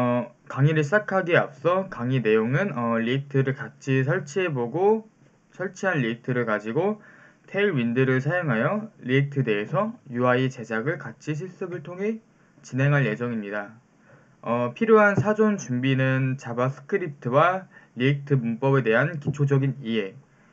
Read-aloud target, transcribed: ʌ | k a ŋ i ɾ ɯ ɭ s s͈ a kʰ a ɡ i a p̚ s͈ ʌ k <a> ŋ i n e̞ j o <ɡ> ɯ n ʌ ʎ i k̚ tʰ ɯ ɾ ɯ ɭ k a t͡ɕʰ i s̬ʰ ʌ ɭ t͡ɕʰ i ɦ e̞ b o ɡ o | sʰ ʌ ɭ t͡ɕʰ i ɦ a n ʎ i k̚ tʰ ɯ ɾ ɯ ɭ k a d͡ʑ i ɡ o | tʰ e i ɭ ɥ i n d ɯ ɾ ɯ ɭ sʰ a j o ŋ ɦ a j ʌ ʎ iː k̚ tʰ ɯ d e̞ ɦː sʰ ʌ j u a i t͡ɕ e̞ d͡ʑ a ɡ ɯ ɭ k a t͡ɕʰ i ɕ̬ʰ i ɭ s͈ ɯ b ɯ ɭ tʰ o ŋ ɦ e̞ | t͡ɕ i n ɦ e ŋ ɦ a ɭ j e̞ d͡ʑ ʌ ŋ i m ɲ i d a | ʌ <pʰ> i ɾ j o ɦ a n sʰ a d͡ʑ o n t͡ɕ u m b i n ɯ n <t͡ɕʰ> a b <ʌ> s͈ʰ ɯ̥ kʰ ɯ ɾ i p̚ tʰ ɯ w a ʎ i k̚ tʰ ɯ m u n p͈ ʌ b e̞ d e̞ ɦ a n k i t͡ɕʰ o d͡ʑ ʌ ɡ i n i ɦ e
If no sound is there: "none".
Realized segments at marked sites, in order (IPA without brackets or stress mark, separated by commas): a, ŋ, pʰ, t͡ɕ, a